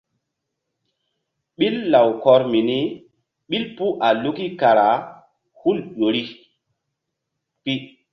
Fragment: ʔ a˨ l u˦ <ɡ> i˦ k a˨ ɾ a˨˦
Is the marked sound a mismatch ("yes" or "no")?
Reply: yes